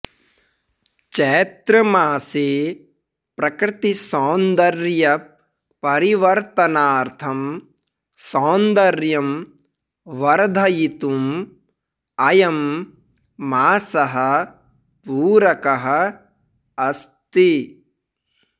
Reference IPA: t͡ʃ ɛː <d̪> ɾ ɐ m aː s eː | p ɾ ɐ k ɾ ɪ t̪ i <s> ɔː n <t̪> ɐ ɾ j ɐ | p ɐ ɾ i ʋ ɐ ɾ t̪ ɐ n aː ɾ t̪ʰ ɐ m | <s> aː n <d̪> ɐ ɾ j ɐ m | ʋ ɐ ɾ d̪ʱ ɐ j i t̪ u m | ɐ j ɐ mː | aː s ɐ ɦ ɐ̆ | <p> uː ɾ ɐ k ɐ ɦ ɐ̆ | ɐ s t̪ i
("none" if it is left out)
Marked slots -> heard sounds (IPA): t̪, s, d̪, s, d̪, p

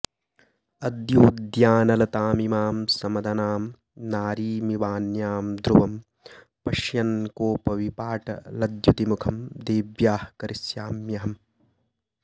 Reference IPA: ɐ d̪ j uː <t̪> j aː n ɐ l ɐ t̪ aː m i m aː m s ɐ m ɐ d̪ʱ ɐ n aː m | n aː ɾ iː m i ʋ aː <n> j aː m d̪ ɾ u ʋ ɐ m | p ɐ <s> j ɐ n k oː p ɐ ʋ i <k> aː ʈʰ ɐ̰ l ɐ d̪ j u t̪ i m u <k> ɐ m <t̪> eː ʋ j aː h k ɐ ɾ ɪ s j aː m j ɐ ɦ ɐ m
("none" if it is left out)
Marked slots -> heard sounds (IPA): d̪, n, ʃ, p, kʰ, d̪

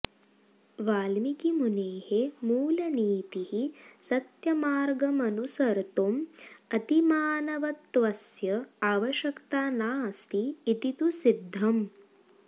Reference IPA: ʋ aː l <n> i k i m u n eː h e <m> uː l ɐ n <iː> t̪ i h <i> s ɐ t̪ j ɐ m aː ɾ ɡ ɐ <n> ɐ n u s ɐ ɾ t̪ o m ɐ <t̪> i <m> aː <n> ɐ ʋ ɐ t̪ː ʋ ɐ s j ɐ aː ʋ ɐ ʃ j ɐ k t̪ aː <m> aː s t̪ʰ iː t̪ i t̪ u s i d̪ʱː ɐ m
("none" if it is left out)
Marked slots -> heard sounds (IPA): m, m, iː, i, m, t̪, m, n, n

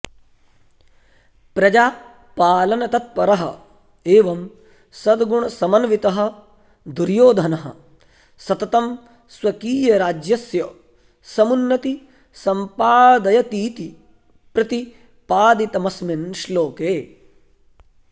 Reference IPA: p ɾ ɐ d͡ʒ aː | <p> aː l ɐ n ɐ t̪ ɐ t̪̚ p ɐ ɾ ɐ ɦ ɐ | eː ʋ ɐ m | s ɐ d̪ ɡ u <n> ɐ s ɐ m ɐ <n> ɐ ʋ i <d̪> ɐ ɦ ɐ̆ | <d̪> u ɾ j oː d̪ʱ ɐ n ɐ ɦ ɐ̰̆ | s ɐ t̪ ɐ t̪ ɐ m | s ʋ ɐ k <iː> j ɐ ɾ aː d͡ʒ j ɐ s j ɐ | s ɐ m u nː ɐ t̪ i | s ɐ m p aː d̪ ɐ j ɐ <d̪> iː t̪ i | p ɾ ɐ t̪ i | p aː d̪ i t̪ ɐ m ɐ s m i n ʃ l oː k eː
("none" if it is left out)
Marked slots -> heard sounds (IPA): p, ɳ, n, t̪, d̪, iː, t̪

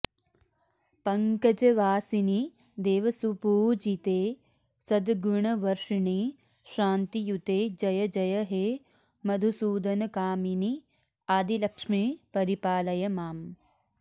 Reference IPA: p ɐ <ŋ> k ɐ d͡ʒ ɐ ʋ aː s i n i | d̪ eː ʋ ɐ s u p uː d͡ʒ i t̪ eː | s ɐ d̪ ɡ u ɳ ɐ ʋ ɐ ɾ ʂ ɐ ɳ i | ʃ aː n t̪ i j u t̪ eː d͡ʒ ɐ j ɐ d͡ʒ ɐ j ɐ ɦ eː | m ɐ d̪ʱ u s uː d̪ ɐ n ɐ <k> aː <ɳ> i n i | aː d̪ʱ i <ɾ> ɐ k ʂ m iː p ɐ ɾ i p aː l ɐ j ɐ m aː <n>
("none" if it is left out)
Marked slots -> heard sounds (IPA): ŋ, k, m, l, m

